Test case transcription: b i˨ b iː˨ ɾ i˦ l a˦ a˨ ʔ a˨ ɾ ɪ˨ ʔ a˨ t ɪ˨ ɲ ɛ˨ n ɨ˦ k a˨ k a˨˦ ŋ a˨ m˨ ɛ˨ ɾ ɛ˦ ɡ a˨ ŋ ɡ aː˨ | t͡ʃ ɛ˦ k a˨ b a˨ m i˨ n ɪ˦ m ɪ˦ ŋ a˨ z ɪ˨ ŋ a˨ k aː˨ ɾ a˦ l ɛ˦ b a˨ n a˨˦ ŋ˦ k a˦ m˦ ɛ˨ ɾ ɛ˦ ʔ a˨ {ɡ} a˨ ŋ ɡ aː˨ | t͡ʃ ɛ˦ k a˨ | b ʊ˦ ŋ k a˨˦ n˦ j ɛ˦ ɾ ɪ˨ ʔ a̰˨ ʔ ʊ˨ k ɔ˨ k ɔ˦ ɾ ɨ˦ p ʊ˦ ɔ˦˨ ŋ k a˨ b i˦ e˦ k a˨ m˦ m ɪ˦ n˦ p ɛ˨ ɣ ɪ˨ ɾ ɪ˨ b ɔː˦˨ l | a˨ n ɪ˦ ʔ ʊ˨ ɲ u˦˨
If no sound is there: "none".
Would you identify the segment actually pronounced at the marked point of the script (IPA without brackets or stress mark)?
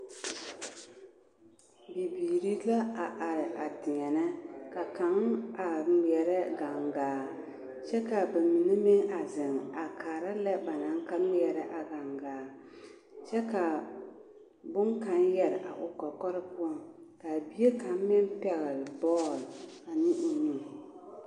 ɡ